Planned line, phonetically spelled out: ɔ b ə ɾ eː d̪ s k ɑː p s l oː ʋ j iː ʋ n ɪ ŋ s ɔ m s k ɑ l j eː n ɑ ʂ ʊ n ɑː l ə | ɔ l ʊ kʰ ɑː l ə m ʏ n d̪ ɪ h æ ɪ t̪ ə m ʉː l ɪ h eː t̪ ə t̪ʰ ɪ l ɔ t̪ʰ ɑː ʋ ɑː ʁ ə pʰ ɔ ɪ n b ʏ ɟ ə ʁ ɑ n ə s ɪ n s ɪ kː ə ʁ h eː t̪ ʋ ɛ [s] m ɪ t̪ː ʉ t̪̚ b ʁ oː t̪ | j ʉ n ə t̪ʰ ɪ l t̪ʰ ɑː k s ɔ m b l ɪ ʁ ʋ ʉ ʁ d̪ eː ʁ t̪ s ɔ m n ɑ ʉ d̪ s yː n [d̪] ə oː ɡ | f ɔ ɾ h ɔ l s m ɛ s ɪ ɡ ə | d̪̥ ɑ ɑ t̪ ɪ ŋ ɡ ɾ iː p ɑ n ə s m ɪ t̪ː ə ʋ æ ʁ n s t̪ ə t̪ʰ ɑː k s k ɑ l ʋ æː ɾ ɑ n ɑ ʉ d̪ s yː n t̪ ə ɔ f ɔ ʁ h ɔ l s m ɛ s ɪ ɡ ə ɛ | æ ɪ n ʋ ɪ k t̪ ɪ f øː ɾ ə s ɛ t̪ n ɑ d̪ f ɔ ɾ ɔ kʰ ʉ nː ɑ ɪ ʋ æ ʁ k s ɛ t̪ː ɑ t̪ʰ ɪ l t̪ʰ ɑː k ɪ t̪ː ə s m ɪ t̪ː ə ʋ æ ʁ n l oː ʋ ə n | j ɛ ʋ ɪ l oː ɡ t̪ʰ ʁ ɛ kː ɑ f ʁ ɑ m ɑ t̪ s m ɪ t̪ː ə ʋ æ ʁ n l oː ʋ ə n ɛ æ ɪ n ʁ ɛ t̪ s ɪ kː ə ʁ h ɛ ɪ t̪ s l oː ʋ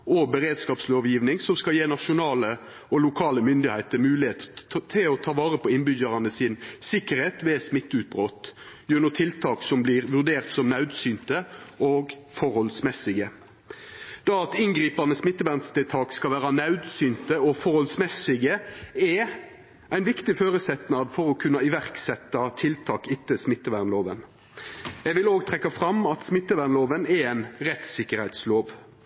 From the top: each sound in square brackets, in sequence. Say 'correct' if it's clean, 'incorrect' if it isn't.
correct, incorrect

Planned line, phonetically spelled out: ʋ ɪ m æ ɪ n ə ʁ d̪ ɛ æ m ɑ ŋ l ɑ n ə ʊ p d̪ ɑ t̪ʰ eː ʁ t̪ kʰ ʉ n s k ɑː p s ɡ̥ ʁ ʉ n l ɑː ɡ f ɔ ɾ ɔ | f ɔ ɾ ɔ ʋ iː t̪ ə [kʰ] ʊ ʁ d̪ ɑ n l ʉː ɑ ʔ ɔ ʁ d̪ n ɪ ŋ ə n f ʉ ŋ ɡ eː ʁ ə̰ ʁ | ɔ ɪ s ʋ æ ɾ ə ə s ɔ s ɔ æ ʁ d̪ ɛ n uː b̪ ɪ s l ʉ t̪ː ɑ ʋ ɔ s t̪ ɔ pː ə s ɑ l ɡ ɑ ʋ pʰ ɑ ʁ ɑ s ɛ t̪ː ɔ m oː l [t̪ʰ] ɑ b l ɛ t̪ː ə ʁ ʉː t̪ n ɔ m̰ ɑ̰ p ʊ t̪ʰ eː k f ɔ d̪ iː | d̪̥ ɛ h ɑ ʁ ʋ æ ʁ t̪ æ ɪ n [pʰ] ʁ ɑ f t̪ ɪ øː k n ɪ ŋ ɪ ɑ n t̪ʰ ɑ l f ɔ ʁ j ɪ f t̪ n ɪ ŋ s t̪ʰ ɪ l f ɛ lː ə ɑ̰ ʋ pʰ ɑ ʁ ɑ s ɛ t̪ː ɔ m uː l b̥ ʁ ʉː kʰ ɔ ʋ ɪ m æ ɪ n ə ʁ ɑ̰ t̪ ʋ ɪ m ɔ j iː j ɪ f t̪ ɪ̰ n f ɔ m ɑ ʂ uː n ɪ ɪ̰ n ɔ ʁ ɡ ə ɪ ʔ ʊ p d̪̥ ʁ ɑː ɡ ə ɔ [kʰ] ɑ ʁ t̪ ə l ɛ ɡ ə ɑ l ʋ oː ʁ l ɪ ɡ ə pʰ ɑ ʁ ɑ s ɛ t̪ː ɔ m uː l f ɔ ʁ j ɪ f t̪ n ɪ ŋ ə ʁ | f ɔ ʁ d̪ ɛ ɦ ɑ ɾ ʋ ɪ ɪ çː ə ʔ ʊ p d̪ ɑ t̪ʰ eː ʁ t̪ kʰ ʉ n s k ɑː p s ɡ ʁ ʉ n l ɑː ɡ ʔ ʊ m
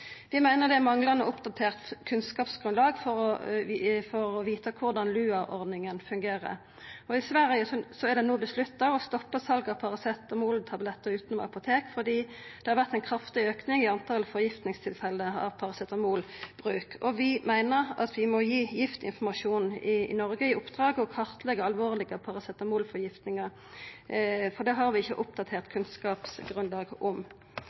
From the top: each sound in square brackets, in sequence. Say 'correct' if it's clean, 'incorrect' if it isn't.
correct, correct, incorrect, correct

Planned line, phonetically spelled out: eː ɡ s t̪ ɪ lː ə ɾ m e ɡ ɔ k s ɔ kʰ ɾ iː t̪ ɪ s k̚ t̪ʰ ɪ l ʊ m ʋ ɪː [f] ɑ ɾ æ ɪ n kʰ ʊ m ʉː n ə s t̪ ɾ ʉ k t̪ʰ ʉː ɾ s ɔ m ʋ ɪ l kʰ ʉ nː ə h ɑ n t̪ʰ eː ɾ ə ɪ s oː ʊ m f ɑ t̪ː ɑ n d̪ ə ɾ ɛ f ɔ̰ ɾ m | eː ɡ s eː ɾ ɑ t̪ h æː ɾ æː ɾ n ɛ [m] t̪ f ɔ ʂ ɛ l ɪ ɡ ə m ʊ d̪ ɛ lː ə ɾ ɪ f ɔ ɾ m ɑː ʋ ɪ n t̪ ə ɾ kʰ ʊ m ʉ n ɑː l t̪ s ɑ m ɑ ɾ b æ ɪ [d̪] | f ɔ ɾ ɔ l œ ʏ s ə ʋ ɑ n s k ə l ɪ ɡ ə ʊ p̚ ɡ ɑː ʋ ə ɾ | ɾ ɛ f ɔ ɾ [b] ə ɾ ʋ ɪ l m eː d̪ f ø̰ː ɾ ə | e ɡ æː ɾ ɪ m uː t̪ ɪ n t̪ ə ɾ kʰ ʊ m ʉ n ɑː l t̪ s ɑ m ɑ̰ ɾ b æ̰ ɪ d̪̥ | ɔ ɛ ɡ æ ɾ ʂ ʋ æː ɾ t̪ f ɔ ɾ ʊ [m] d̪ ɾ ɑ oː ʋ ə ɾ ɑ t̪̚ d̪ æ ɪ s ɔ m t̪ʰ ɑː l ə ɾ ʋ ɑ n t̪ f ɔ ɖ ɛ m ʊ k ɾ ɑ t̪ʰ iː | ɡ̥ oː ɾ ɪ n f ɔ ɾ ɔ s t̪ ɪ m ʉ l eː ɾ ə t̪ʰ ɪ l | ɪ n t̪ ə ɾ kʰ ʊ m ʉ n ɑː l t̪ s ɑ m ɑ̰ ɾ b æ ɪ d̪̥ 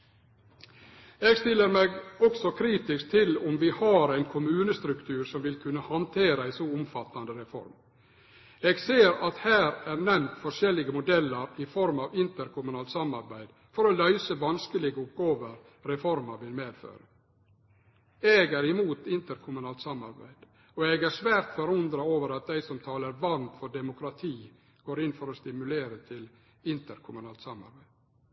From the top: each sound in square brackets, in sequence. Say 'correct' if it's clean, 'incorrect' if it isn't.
incorrect, correct, correct, incorrect, incorrect

